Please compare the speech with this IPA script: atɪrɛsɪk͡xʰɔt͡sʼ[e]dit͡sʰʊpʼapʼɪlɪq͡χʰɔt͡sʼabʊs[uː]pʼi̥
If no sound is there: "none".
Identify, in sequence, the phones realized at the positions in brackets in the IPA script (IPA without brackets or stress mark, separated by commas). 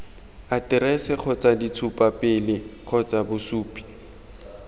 a, uː